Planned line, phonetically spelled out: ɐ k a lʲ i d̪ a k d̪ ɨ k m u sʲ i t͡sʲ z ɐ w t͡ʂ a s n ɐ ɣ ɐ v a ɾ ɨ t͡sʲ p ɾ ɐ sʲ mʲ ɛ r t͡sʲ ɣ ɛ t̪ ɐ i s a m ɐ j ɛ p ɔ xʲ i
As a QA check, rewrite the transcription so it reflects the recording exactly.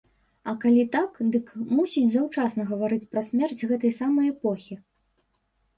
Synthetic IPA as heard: ɐ k a lʲ i t̪ a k d̪ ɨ k m u sʲ i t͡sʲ z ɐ w t͡ʂ a s n ɐ ɣ ɐ v a ɾ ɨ t͡sʲ p ɾ ɐ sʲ mʲ ɛ r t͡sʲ ɣ ɛ t̪ ɐ j s a m ɐ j ɛ p ɔ xʲ i